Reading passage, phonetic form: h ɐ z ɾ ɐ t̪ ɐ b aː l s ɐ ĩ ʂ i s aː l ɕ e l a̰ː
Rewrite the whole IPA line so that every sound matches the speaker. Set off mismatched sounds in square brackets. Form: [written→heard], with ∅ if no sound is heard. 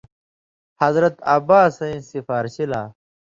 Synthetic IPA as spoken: h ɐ z ɾ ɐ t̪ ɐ b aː [l→∅] s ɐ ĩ [ʂ→s] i [s→f] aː [l→ɾ] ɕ [e→i] l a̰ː